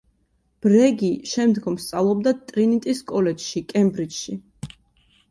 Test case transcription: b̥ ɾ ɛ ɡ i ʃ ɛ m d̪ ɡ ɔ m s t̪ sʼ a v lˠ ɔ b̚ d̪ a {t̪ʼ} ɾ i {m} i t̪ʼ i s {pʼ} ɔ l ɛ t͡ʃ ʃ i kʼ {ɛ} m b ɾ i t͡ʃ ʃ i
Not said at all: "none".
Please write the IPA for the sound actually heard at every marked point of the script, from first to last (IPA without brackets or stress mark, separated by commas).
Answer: t̪ʼ, n, kʼ, ɛ